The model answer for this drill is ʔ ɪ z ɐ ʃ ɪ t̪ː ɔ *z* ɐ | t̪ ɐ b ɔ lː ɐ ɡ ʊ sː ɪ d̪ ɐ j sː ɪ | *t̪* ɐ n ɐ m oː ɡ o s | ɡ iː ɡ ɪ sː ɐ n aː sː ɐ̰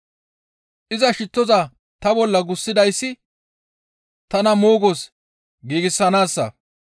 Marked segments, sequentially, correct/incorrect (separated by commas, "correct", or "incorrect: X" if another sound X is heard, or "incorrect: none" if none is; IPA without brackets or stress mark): correct, correct